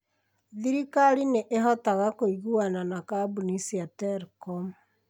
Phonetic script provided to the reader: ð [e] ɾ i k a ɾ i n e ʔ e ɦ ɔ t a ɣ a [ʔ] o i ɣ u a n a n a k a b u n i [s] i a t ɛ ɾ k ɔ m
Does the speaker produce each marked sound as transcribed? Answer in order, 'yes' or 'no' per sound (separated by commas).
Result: no, no, yes